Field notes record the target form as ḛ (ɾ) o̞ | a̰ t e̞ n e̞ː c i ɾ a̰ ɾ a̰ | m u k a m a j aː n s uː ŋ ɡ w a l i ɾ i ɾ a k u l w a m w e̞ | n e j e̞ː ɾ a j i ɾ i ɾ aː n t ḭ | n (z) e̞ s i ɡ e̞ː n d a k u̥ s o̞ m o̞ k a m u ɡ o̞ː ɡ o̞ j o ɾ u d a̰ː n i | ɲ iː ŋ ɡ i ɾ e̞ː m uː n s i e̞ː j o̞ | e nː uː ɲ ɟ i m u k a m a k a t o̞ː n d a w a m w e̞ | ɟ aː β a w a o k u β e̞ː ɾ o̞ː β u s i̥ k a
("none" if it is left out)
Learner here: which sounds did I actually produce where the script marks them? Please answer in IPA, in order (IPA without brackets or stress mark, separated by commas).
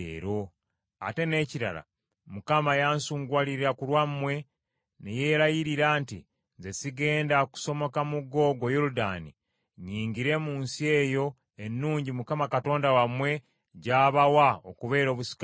ɾ, z